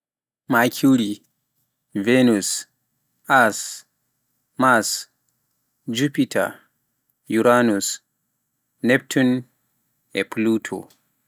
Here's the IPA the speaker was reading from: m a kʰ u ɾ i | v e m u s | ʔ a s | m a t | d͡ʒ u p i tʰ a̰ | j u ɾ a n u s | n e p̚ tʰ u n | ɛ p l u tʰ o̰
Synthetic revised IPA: m a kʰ u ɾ i | v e n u s | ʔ a s | m a s | d͡ʒ u p i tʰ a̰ | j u ɾ a n u s | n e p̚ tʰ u n | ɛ p l u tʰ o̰